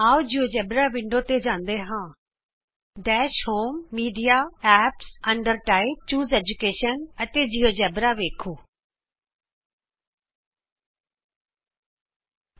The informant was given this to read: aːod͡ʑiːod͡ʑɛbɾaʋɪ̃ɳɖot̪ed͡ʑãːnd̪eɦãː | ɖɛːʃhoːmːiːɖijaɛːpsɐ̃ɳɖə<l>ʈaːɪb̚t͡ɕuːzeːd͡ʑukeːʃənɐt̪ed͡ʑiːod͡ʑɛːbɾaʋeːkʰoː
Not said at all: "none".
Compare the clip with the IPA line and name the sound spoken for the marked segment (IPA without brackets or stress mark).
ɾ